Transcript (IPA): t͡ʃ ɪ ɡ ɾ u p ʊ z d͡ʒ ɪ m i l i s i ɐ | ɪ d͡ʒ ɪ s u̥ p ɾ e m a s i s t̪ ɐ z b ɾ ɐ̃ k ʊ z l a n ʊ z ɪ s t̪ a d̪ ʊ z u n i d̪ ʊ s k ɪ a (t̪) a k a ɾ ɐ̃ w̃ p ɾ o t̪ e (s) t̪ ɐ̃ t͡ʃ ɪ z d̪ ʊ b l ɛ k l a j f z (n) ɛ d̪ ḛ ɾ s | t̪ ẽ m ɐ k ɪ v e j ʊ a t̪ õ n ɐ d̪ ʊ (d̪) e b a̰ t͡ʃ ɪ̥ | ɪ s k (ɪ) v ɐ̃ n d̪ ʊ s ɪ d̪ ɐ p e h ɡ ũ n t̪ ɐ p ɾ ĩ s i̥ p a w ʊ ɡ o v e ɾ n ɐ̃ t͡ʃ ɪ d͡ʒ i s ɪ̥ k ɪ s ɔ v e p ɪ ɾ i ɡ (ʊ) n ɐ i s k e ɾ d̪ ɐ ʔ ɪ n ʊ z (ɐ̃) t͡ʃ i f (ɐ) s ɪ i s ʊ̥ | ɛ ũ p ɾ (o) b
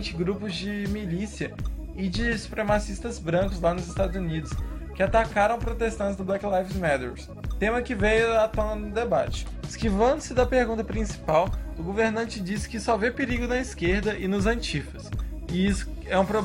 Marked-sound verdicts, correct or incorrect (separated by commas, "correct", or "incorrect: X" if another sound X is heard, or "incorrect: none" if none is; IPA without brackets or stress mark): correct, correct, incorrect: m, correct, incorrect: i, correct, correct, correct, correct